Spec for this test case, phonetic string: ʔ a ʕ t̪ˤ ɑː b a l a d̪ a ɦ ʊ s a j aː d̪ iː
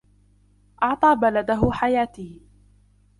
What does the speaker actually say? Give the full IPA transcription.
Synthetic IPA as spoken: ʔ ɑ ʕ t̪ˤ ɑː b a l a d̪ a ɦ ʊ ħ a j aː t̪ iː